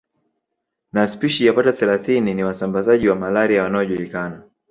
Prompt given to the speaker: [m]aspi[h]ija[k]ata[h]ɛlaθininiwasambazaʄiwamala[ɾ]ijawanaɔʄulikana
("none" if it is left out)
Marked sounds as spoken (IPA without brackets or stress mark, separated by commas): n, ʃ, p, θ, ɾ